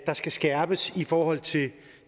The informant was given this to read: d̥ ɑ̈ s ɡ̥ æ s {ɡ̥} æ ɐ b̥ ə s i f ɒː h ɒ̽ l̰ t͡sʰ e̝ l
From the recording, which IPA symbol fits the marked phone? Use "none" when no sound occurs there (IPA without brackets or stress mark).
ɡ̥